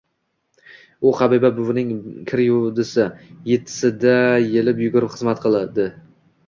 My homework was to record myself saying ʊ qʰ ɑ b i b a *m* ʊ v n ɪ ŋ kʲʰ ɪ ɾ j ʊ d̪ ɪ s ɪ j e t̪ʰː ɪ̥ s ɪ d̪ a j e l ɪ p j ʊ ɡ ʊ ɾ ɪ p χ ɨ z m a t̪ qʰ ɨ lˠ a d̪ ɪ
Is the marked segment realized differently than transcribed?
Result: yes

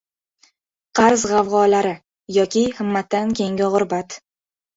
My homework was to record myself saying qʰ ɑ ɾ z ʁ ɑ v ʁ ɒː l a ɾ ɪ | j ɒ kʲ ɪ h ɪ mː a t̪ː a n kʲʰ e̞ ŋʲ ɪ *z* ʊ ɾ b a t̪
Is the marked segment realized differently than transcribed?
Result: yes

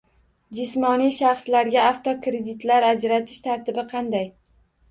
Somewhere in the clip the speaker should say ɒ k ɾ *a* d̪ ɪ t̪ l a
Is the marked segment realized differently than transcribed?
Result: yes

